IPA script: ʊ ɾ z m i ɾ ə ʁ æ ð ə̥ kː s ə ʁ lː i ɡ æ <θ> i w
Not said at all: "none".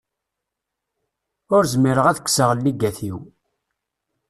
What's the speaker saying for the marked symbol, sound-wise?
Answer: θ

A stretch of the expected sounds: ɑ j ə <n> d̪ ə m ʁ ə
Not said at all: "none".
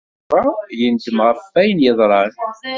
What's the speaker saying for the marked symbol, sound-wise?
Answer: n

